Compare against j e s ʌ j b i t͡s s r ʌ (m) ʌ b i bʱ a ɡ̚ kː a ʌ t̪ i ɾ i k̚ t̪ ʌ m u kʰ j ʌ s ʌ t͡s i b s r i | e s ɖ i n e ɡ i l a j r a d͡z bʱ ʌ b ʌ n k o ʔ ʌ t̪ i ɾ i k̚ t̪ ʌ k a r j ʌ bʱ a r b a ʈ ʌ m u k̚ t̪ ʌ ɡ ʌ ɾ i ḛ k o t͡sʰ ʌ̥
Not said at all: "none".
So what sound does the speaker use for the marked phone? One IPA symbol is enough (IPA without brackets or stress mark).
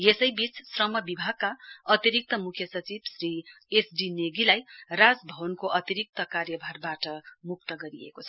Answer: m